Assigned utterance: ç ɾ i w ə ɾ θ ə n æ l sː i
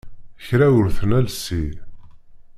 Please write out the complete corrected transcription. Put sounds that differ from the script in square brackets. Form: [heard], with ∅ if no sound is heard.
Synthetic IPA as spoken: ç ɾ [æ] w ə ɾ θ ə n æ l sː i